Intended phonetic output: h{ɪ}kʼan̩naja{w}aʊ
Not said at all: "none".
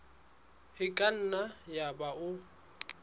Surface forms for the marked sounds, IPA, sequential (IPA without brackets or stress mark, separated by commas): ɪ, b